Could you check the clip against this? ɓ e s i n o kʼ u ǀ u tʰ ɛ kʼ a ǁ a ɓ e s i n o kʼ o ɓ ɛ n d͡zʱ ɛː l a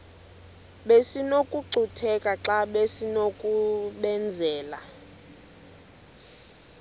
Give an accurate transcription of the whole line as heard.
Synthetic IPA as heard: ɓ e s i n o kʼ u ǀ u tʰ ɛ kʼ a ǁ a ɓ e s i n o kʼ u ɓ ɛ n d͡zʱ ɛː l a